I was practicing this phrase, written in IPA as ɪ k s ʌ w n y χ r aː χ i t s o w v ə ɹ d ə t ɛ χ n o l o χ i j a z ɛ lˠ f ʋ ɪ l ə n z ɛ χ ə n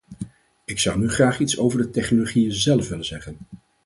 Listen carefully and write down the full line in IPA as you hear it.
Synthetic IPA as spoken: ɪ k s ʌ w n y χ r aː χ i t s o w v ə ɹ d ə t ɛ χ n o l o χ i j ə z ɛ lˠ f ʋ ɪ l ə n z ɛ χ ə n